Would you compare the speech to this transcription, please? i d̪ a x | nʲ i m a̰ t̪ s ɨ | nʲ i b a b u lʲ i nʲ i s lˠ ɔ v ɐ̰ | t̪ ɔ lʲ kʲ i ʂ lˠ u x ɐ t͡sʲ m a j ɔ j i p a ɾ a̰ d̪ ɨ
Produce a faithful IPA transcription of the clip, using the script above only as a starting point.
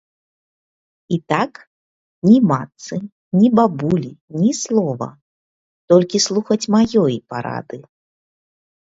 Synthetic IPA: i t̪ a k | nʲ i m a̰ t̪ s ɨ | nʲ i b a b u lʲ i nʲ i s lˠ ɔ v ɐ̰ | t̪ ɔ lʲ kʲ i s lˠ u x ɐ t͡sʲ m a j ɔ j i p a ɾ a̰ d̪ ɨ